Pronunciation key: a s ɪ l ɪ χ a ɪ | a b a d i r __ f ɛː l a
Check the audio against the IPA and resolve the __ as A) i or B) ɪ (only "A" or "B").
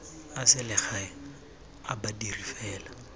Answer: A